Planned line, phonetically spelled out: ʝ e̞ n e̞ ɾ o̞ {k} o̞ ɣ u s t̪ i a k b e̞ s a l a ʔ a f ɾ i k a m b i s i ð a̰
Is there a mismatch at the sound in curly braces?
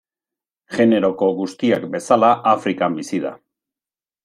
no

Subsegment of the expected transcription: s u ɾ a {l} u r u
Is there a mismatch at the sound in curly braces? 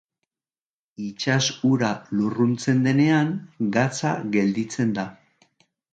no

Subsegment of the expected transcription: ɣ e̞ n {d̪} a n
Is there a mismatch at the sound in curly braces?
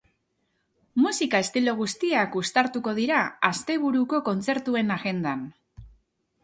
no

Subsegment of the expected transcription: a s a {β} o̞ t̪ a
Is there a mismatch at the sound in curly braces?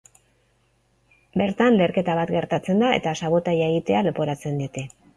no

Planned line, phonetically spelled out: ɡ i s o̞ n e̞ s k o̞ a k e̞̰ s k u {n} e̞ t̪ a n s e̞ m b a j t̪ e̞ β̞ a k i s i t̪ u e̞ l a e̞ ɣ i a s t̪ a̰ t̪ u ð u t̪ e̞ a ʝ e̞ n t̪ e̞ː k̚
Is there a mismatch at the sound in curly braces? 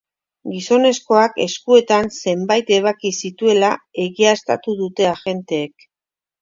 yes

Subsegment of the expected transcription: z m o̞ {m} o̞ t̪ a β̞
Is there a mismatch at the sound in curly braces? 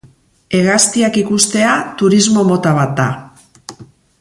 no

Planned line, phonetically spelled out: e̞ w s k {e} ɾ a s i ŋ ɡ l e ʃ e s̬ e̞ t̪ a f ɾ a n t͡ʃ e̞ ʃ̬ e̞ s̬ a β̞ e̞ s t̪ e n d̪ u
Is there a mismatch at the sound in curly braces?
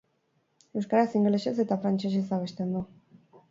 yes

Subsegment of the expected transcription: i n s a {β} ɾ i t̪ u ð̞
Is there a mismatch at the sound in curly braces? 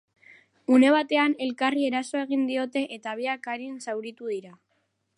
yes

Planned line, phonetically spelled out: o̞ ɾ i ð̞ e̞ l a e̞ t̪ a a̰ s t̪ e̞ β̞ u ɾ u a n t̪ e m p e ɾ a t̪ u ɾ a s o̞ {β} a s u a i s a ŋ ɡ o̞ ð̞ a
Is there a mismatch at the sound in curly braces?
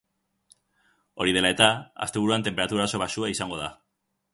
no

